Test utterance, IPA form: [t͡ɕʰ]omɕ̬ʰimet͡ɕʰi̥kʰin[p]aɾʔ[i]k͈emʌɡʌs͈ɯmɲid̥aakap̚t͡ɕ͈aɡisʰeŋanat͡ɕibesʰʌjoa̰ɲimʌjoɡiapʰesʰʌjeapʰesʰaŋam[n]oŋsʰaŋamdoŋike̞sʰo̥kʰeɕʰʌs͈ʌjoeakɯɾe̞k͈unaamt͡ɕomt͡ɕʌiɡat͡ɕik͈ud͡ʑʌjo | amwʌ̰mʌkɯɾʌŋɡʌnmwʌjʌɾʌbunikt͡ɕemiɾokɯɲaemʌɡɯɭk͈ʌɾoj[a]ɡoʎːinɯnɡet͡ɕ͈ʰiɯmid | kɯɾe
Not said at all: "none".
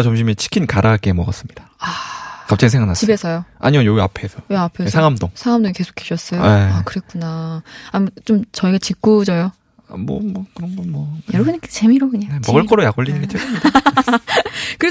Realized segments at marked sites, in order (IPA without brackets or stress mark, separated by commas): t͡ɕ, k, a, d, a